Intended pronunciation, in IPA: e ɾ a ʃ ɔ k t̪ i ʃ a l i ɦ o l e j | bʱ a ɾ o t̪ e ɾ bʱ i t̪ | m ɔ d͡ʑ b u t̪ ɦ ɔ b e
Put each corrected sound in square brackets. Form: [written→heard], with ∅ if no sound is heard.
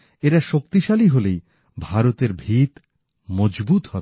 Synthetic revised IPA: e ɾ a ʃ [ɔ→o] k t̪ i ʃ a l i ɦ o l e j | bʱ a ɾ o t̪ e ɾ bʱ i t̪ | m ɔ d͡ʑ b u t̪ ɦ ɔ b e